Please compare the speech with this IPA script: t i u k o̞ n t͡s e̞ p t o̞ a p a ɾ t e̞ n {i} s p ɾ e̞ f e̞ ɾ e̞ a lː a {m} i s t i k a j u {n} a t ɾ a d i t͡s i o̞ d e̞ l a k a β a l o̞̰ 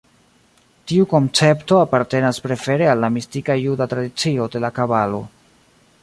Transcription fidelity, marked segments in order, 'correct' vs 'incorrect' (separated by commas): incorrect, correct, incorrect